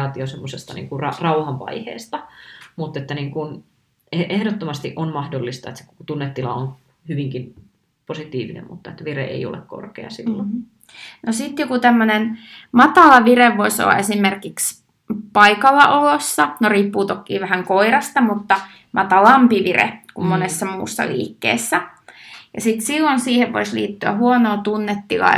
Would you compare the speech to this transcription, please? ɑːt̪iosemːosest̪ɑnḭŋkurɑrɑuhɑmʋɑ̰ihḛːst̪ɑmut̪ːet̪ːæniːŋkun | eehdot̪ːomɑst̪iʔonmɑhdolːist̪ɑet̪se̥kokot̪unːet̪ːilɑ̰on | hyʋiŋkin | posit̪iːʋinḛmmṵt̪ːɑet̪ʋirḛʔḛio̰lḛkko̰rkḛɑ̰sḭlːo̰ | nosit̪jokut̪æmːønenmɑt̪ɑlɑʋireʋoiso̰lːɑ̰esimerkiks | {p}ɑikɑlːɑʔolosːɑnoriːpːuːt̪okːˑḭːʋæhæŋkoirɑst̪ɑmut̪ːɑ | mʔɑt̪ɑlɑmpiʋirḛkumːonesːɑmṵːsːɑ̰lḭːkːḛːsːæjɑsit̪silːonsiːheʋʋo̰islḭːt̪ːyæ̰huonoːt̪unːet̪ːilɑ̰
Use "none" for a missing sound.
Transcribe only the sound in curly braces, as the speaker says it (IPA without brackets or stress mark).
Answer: p